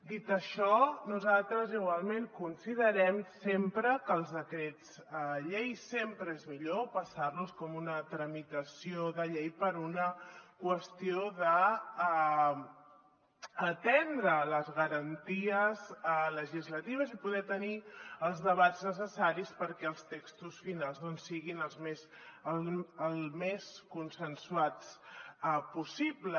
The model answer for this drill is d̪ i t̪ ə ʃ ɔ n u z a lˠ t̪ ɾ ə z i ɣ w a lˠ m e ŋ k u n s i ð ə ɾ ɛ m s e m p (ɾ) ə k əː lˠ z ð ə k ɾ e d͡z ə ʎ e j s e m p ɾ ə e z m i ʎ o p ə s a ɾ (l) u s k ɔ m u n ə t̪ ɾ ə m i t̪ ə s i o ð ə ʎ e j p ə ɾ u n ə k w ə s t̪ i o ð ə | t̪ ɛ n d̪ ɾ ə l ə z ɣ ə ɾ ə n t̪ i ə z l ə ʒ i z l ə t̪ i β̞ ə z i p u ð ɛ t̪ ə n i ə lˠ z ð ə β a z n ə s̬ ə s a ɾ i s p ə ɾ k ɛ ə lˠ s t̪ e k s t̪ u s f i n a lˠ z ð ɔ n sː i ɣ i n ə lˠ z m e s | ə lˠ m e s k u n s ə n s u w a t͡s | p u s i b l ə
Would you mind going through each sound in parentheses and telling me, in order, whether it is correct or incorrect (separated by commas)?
correct, correct